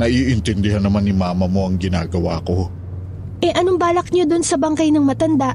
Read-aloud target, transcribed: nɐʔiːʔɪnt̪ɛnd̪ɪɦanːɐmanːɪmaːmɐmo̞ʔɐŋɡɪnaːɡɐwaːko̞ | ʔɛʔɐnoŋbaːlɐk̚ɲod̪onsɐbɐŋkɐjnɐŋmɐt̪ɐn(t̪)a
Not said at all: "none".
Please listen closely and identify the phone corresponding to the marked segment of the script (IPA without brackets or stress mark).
d̪